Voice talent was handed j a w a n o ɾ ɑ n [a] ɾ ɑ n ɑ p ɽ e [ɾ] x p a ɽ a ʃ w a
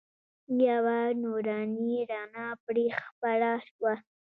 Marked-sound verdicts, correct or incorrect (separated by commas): incorrect, incorrect